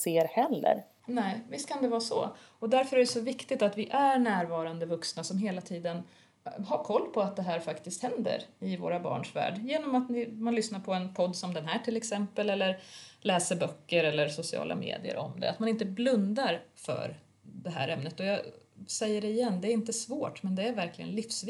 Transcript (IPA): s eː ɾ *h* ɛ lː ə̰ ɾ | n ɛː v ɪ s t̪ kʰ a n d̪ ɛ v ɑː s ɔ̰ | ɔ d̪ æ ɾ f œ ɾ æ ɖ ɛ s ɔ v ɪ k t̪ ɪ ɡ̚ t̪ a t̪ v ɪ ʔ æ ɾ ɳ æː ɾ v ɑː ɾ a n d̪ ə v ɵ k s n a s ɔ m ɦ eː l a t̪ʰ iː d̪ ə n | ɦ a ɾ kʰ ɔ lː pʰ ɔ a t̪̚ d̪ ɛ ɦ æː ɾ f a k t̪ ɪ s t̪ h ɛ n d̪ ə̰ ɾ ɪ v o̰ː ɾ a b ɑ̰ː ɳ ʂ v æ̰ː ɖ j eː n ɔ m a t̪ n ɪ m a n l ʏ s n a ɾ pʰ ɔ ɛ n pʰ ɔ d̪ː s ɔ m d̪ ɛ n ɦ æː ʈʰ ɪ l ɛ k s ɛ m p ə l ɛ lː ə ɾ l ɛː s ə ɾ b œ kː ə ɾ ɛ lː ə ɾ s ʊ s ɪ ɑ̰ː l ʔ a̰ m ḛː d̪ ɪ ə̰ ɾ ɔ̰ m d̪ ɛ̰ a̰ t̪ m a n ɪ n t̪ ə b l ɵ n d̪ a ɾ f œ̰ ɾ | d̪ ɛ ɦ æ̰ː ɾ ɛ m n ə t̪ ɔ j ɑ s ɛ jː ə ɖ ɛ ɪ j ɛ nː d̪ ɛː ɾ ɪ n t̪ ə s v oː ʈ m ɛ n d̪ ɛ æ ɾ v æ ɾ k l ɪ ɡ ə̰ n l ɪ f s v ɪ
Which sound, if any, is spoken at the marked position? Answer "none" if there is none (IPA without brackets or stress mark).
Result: h